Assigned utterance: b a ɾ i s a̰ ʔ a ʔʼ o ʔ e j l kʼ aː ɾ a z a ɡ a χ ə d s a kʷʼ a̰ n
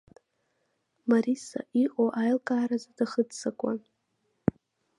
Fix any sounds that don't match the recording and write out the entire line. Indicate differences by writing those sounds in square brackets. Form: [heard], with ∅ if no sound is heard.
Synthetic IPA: [m] a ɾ i s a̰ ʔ [i] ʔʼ o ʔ [a] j l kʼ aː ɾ a z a [d] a χ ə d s a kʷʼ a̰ n